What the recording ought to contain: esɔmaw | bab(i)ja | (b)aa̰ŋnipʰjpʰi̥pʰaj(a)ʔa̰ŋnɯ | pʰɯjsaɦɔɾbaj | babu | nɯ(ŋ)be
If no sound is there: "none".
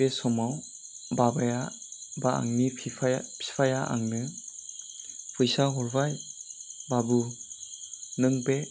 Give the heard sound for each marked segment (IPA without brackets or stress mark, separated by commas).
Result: a, b, a, ŋ